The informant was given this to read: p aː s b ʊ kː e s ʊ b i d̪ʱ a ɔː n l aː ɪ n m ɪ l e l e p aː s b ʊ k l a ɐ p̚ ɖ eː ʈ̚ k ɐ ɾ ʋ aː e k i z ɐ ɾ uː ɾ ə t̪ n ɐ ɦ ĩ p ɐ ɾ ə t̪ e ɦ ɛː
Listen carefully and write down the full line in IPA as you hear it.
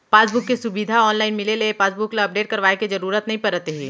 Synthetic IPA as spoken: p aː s b ʊ kː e s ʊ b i d̪ʱ a ɔː n l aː ɪ n m ɪ l e l e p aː s b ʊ k l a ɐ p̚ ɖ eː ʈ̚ k ɐ ɾ ʋ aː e k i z ɐ ɾ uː ɾ ə t̪ n ɐ ɦ ĩ p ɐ ɾ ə t̪ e ɦ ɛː